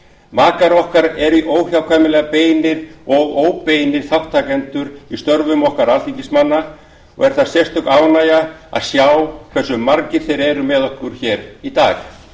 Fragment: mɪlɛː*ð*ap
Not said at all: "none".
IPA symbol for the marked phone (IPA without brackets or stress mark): ɣ